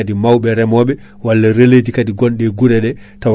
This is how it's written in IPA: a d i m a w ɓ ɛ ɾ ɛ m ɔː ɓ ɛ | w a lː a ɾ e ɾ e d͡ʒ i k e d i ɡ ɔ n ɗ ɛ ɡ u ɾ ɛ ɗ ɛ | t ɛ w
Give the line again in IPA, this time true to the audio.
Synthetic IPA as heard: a d i m a w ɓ ɛ ɾ ɛ m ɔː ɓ ɛ | w a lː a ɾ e l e d͡ʒ i k a d i ɡ ɔ n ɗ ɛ ɡ u ɾ ɛ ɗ ɛ | t a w

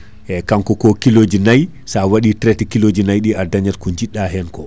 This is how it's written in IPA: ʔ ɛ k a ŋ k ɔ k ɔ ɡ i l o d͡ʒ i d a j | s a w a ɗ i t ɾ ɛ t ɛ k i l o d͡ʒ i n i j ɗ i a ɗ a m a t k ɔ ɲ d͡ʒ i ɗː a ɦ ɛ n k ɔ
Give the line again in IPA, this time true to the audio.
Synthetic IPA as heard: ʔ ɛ k a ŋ k ɔ k ɔ k i l o d͡ʒ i n a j | s a w a ɗ i t ɾ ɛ t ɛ k i l o d͡ʒ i n a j ɗ i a d a ɲ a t k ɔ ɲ d͡ʒ i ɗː a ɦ ɛ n k ɔ

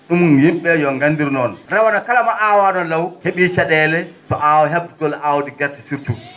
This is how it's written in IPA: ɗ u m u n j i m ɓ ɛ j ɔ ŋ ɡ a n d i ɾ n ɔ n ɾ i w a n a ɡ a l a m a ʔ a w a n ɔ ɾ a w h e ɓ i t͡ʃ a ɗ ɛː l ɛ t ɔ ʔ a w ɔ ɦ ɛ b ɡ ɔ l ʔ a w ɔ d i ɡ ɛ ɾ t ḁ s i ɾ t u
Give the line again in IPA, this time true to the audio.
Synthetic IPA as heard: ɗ u m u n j i m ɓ ɛ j ɔ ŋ ɡ a n d i ɾ n ɔ n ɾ a w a n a k a l a m a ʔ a w a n ɔ l a w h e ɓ i t͡ʃ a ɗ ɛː l ɛ t ɔ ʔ a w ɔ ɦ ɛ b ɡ ɔ l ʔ a w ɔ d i ɡ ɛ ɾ t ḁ s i ɾ t u

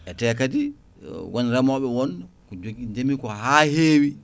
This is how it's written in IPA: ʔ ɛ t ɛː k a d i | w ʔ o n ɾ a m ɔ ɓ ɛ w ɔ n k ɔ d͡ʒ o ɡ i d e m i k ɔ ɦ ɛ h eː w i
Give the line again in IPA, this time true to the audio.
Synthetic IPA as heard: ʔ ɛ t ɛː k a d i | w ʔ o n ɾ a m ɔ ɓ ɛ w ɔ n k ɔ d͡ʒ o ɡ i d͡ʒ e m i k ɔ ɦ a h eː w i

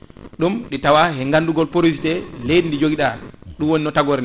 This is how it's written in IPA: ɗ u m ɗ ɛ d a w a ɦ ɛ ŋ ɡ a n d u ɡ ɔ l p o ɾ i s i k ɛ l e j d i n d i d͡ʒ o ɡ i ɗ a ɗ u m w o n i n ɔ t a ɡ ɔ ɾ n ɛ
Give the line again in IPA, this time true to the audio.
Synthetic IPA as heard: ɗ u m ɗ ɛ t a w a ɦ ɛ ŋ ɡ a n d u ɡ ɔ l p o ɾ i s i t ɛ l e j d i n d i d͡ʒ o ɡ i ɗ a ɗ u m w o n i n ɔ t a ɡ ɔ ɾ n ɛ

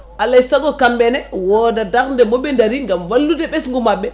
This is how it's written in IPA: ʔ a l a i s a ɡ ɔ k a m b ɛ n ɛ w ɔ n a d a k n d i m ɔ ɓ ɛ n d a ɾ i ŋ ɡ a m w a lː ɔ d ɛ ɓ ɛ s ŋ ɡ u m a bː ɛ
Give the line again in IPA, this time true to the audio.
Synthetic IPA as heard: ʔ a l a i s a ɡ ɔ k a m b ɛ n ɛ w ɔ d a d a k n d ɛ m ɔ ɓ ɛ n d a ɾ i ŋ ɡ a m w a lː u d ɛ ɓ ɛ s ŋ ɡ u m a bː ɛ

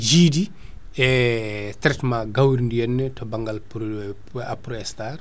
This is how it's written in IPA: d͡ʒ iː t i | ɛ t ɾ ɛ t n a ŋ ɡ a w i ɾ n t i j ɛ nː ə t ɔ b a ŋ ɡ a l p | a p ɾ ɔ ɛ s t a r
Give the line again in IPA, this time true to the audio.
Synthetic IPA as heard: d͡ʒ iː d i | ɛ t ɾ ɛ t m a ɡ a w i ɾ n d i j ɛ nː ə t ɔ b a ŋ ɡ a l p | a p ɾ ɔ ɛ s t a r

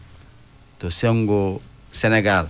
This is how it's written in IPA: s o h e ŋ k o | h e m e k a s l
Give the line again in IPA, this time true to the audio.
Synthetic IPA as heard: t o s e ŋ ɡ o | s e n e ɡ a l

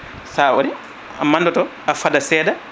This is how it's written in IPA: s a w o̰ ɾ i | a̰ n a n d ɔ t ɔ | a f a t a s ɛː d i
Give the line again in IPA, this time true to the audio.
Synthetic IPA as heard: s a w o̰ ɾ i | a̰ m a n d ɔ t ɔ | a f a d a s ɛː d a

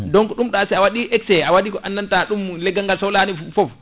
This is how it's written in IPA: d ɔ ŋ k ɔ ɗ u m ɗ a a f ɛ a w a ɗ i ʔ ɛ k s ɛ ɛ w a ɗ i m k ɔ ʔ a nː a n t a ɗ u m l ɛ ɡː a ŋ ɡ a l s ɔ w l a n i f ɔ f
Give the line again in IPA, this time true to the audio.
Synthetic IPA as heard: d ɔ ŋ k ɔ ɗ u m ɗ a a s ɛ a w a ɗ i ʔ ɛ k s ɛ a w a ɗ i k ɔ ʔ a nː a n t a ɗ u m l ɛ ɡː a ŋ ɡ a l s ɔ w l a n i f ɔ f

